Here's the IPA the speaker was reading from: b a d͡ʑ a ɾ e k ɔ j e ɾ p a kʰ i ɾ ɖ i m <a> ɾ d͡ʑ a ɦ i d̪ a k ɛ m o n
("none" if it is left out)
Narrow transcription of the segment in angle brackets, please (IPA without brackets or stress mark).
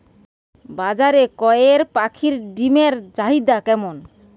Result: e